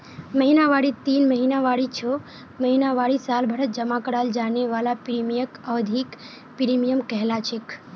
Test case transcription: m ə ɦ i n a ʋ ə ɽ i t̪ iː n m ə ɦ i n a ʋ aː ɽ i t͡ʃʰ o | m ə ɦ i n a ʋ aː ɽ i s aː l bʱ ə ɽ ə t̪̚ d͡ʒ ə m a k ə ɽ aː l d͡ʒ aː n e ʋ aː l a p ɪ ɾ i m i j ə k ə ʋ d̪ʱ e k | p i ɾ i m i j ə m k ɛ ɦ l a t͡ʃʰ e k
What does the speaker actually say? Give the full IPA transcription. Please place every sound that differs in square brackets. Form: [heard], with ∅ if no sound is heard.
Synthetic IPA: m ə ɦ i n a ʋ [a] ɽ i t̪ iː n m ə ɦ i n a ʋ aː ɽ i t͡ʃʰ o | m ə ɦ i n a ʋ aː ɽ i s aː l bʱ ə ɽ ə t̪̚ d͡ʒ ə m a k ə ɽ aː l d͡ʒ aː n e ʋ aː l a p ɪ ɾ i m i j ə k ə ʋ d̪ʱ [i] k | p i ɾ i m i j ə m k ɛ ɦ l a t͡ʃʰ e k